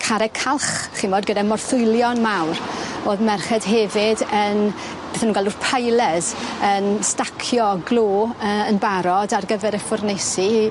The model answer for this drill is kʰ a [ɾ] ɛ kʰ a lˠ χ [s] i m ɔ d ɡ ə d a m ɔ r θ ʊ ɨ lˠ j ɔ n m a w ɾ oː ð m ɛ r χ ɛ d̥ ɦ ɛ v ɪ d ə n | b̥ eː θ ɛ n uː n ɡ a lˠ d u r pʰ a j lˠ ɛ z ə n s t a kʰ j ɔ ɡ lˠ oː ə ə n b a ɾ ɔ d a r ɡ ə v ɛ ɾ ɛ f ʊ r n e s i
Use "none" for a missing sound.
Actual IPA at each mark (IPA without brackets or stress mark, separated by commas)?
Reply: ɾ, χ